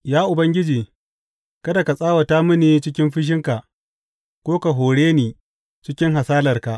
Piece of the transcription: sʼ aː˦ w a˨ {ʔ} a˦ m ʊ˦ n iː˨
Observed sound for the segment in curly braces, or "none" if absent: t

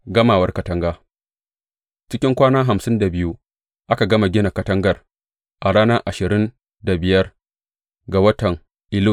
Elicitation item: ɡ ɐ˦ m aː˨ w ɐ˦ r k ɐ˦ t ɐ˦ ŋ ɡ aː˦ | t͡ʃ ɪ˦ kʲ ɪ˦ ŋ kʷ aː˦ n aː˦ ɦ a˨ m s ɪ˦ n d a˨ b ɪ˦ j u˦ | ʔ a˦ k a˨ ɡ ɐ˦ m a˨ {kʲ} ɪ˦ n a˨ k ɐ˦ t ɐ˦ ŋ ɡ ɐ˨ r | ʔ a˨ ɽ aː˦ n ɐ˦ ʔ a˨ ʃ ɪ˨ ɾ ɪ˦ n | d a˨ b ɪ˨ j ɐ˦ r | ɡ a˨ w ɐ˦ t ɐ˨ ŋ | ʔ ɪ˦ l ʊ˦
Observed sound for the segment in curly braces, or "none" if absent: ɡʲ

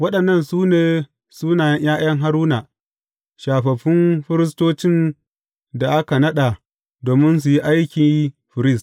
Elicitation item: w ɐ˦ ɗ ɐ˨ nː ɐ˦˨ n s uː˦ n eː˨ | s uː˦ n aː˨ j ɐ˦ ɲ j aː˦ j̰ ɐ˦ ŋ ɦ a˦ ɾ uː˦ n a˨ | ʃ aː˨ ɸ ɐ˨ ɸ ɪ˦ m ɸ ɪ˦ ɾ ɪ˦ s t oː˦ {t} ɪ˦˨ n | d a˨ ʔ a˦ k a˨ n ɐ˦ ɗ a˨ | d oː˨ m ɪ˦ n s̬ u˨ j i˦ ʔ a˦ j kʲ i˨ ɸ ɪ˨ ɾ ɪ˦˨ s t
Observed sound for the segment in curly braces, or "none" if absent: t͡ʃ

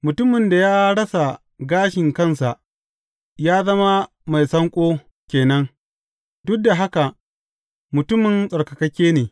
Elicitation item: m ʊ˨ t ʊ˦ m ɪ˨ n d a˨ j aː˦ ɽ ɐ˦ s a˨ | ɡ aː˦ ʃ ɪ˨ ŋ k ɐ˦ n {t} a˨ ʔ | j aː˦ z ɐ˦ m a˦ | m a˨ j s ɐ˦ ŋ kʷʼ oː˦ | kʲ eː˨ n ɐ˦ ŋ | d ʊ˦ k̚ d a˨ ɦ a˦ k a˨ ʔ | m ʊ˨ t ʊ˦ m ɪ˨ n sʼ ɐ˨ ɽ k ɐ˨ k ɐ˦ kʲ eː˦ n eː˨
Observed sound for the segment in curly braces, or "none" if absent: s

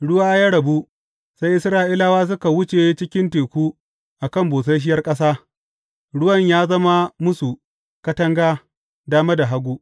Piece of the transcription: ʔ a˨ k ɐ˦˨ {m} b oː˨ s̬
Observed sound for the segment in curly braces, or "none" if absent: m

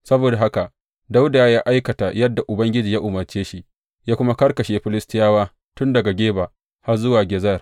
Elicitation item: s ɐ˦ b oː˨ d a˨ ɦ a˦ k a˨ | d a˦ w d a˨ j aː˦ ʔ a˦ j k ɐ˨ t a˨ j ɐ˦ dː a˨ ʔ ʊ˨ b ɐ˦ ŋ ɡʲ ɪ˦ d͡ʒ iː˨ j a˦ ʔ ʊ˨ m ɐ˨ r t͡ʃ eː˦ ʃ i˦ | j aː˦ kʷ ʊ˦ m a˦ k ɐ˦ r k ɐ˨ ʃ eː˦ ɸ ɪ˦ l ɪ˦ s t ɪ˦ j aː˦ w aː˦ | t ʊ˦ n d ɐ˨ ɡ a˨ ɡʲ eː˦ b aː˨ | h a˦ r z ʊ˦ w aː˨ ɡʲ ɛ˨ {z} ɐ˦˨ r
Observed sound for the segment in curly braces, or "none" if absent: z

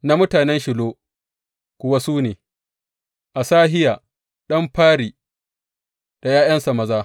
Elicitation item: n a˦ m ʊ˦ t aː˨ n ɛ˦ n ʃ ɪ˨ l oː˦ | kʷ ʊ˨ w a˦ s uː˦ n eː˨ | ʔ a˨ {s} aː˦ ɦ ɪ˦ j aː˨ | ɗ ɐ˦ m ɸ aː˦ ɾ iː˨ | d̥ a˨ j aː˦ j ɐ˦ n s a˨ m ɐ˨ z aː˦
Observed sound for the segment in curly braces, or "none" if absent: s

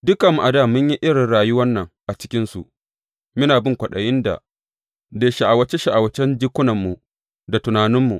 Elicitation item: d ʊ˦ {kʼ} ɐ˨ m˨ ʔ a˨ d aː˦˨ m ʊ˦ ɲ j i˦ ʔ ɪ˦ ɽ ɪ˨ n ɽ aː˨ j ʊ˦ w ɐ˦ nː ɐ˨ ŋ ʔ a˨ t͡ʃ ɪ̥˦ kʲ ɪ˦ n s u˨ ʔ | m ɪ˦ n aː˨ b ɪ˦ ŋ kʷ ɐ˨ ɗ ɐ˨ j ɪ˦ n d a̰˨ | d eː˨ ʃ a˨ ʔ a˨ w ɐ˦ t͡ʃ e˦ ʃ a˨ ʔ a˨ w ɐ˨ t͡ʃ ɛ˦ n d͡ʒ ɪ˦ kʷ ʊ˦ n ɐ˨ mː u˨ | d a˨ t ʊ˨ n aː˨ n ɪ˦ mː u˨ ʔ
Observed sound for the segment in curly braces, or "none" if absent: k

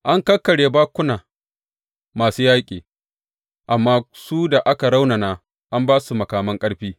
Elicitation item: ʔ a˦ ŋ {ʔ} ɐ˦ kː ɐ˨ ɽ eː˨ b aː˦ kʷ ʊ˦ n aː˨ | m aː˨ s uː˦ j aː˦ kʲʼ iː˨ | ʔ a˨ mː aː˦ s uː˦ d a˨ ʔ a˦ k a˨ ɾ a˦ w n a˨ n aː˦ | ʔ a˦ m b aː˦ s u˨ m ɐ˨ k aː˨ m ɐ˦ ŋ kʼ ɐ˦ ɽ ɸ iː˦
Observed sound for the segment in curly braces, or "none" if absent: k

